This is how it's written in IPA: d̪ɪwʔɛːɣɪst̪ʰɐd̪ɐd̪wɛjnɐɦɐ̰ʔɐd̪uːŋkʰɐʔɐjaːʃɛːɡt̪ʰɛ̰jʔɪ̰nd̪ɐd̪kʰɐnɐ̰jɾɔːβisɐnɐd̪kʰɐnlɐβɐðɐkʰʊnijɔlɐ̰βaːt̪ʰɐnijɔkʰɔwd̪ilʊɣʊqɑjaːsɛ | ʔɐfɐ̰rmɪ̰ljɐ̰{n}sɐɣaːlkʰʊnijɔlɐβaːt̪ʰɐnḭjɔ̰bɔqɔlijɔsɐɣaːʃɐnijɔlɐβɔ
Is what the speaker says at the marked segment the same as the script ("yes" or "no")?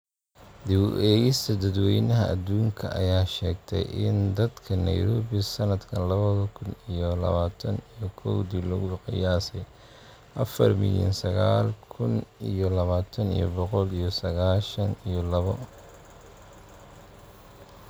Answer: yes